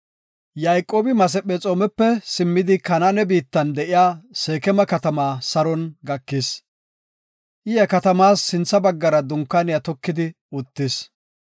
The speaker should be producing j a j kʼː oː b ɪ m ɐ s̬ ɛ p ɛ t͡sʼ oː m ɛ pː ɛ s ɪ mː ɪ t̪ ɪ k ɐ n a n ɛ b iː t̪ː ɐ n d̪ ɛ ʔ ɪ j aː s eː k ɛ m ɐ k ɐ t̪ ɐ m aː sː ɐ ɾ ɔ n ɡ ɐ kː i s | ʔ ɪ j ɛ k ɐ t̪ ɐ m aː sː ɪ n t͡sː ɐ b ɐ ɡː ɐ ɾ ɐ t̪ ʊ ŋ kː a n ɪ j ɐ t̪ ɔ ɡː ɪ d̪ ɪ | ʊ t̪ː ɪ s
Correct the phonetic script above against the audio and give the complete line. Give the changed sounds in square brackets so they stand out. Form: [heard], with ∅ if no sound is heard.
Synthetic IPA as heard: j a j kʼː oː b ɪ m ɐ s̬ ɛ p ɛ t͡sʼ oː m ɛ pː ɛ s ɪ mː ɪ [d̪] ɪ k ɐ n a n ɛ b iː t̪ː ɐ n d̪ ɛ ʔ ɪ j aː s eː k ɛ m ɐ k ɐ t̪ ɐ m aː [s] ɐ ɾ ɔ n ɡ ɐ kː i s | ʔ ɪ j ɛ k ɐ t̪ ɐ m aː sː ɪ n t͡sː ɐ b ɐ ɡː ɐ ɾ ɐ [d̪] ʊ ŋ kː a n ɪ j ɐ t̪ ɔ [kː] ɪ d̪ ɪ | ʊ t̪ː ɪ s

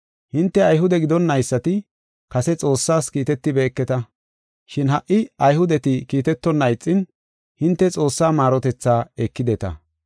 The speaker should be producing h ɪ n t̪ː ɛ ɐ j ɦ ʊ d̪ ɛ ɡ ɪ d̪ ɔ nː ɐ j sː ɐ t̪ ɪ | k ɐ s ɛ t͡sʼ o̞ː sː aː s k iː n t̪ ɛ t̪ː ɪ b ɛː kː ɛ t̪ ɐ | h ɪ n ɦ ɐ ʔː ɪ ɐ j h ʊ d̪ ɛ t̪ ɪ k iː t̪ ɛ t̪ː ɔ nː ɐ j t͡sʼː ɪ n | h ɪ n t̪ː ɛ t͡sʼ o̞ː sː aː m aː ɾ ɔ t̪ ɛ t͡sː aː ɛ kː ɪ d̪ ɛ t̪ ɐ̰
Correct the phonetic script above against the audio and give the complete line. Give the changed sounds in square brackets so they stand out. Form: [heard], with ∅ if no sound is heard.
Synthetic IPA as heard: h ɪ n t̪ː ɛ ɐ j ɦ ʊ d̪ ɛ ɡ ɪ d̪ ɔ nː ɐ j sː ɐ t̪ ɪ | k ɐ s ɛ t͡sʼ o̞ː sː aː s k iː [∅] t̪ ɛ t̪ː ɪ b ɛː kː ɛ t̪ ɐ | [ʃ] ɪ n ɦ ɐ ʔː ɪ ɐ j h ʊ d̪ ɛ t̪ ɪ k iː t̪ ɛ t̪ː ɔ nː ɐ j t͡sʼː ɪ n | h ɪ n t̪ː ɛ t͡sʼ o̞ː sː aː m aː ɾ ɔ t̪ ɛ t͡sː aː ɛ kː ɪ d̪ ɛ t̪ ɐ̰

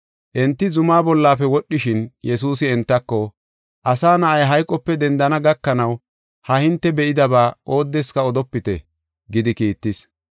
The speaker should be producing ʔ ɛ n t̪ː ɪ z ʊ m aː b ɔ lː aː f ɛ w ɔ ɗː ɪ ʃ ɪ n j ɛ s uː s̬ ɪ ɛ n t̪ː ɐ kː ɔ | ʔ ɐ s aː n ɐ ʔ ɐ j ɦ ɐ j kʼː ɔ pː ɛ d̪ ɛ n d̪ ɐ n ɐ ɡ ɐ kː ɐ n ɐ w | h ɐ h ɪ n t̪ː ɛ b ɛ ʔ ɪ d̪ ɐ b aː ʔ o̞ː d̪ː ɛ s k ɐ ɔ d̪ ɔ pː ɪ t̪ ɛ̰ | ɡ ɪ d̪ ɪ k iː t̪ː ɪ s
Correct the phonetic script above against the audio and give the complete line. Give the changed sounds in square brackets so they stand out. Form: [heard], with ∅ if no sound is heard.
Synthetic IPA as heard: ʔ ɛ n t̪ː ɪ z ʊ m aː b ɔ lː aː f ɛ w ɔ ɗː ɪ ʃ ɪ n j ɛ s uː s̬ ɪ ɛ n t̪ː ɐ kː ɔ | ʔ ɐ s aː n ɐ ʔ ɐ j ɦ ɐ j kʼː ɔ pː ɛ d̪ ɛ n d̪ ɐ n ɐ ɡ ɐ kː ɐ n ɐ w | h ɐ h ɪ n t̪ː ɛ b ɛ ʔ ɪ d̪ ɐ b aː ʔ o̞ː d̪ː ɛ s k ɐ ɔ d̪ ɔ pː ɪ t̪ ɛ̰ | ɡ ɪ d̪ ɪ k iː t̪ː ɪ s

